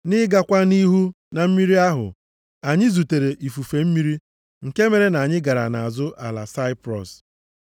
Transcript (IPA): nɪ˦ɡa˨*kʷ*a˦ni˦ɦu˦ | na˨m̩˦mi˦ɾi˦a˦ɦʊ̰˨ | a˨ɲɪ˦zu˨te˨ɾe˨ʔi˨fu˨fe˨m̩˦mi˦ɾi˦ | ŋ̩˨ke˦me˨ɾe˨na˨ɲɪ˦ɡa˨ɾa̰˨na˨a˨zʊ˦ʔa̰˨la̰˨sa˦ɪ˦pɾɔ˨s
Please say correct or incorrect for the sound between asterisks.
correct